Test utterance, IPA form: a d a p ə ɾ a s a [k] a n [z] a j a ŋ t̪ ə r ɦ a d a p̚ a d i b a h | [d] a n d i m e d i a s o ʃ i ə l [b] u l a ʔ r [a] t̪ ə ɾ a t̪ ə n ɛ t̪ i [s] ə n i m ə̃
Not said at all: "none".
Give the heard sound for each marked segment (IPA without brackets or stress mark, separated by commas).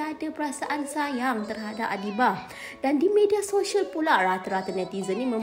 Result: ʔ, s, d, p, a, z